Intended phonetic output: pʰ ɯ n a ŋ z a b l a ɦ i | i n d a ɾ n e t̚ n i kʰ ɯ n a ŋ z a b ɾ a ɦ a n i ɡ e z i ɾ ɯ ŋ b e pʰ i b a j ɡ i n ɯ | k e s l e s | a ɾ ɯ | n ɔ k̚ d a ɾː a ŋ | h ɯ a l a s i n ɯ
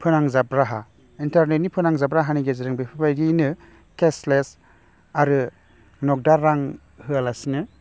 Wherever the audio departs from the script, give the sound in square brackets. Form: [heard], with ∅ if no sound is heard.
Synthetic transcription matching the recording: pʰ ɯ n a ŋ z a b [ɾ] a ɦ [a] | i n [t] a ɾ n e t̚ n i [pʰ] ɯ n a ŋ z a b ɾ a ɦ a n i ɡ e z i ɾ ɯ ŋ b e pʰ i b a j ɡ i n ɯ | k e s l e s | a ɾ ɯ | n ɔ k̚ d a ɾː a ŋ | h ɯ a l a s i n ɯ